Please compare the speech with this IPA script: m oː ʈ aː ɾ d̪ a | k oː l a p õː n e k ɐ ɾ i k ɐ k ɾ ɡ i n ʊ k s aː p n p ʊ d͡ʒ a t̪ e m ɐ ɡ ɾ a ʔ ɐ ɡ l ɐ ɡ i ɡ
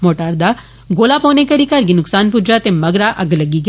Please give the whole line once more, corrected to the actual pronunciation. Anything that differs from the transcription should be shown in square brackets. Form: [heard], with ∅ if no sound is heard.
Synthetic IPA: m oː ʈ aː ɾ d̪ a | [ɡ] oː l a p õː n e k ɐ ɾ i k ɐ [∅] ɾ ɡ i n ʊ k s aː [∅] n p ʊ d͡ʒ a t̪ e m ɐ ɡ ɾ a ʔ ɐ ɡ l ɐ ɡ i ɡ